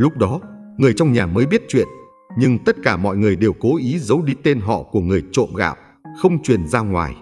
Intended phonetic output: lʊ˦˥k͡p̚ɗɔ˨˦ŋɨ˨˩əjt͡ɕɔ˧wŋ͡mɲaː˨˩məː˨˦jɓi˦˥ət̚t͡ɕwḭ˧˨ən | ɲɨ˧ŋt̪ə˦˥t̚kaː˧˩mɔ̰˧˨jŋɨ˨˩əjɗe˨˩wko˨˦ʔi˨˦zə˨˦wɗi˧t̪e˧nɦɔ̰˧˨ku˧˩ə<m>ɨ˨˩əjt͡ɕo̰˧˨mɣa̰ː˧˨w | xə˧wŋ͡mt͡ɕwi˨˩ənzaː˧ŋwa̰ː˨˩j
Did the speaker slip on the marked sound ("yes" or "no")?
yes